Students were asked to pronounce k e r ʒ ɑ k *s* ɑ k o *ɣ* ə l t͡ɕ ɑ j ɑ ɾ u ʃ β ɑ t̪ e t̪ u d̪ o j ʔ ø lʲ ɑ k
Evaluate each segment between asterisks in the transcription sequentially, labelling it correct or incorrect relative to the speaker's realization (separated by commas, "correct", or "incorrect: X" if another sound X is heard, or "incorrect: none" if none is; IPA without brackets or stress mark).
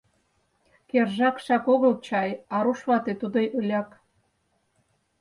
incorrect: ʃ, correct